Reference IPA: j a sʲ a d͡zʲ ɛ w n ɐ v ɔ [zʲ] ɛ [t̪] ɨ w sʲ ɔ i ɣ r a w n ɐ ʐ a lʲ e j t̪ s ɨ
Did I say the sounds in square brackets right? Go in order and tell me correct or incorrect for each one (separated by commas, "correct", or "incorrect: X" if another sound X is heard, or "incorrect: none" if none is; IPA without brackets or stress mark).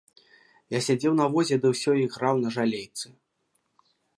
correct, incorrect: d̪